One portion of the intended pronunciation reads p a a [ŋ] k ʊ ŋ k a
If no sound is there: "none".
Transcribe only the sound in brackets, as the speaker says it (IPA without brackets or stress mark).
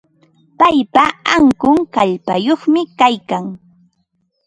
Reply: ŋ